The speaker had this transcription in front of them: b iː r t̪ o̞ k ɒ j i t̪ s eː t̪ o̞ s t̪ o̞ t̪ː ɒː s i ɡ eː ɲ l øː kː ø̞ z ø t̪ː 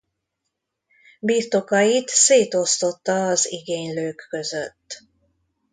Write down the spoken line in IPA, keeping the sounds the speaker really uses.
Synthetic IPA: b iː r t̪ o̞ k ɒ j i t̪ s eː t̪ o̞ s t̪ o̞ t̪ː ɒː z i ɡ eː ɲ l øː kː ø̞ z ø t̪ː